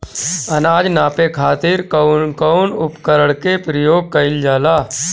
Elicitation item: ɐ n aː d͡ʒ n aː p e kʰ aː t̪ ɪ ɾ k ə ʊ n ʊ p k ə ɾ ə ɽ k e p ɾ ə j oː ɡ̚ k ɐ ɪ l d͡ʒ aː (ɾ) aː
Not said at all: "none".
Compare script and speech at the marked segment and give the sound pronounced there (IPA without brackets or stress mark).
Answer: l